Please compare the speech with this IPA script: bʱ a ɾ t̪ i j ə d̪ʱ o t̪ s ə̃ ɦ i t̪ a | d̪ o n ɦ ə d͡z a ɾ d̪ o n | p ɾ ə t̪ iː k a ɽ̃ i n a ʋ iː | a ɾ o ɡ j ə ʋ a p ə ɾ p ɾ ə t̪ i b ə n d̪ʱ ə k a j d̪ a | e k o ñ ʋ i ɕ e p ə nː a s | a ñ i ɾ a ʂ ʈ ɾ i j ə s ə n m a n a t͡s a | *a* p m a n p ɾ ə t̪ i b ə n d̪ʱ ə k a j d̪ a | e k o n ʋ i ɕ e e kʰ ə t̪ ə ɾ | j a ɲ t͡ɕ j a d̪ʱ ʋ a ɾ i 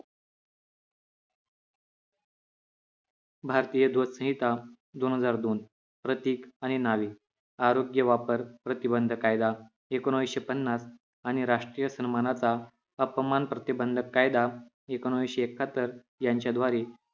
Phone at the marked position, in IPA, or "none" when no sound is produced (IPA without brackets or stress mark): ə